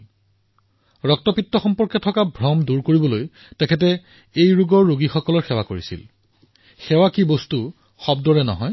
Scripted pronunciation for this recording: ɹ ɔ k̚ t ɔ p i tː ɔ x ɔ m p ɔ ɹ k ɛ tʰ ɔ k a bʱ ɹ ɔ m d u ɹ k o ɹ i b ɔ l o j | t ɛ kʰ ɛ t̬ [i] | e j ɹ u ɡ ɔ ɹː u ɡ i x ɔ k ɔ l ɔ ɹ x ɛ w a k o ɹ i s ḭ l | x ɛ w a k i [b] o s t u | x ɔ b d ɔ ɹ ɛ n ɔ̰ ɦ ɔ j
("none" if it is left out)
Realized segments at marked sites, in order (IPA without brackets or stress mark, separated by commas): ɛ, b